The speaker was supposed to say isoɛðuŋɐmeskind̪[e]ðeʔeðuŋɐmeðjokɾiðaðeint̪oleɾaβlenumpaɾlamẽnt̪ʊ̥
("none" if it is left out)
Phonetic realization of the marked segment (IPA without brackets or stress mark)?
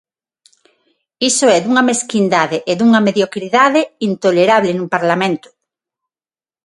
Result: a